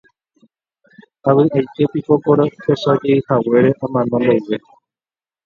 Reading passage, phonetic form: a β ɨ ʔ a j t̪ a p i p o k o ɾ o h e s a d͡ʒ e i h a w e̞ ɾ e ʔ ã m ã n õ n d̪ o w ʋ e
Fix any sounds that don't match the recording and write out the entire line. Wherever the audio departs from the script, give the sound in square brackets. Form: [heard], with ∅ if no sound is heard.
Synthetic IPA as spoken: a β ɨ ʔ a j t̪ [e] p i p o k o ɾ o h e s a d͡ʒ e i h a w e̞ ɾ e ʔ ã m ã n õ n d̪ o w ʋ e